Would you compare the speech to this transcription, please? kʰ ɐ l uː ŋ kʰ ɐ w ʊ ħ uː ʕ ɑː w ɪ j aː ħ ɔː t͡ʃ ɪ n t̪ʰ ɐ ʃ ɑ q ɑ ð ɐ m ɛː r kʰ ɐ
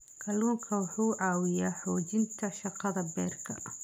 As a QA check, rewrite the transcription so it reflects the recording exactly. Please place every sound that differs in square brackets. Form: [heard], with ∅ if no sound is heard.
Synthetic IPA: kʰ ɐ l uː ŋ kʰ ɐ w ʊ ħ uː ʕ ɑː w ɪ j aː ħ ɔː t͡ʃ ɪ n t̪ʰ ɐ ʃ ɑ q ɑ ð ɐ [b] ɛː r kʰ ɐ